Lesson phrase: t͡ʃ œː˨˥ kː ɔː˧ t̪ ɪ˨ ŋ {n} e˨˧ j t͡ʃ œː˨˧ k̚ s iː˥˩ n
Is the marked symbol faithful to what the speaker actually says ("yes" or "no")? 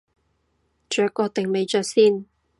no